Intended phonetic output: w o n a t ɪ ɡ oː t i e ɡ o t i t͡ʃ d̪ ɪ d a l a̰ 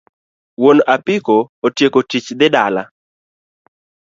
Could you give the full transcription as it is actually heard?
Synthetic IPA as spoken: w o n a p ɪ k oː t j e k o t i t͡ʃ d̪ ɪ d a l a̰